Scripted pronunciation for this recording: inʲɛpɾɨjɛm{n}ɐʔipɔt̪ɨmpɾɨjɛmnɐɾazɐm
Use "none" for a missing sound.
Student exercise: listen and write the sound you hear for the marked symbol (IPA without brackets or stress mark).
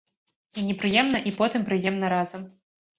n